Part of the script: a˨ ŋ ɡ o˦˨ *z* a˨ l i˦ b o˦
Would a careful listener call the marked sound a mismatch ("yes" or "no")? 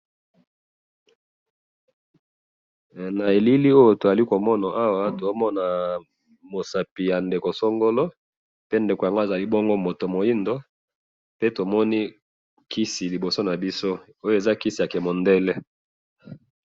no